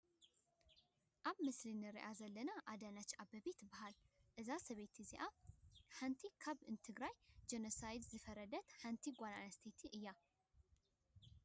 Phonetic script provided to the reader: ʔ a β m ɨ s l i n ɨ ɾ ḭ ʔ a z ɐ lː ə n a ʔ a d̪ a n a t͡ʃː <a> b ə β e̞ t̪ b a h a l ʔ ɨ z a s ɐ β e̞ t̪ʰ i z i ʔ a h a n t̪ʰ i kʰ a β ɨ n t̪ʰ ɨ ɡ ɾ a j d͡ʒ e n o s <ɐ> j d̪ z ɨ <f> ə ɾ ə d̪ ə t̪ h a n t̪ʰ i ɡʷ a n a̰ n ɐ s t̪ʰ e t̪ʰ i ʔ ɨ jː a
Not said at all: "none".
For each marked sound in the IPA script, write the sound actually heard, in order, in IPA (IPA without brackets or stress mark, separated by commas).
a, a, f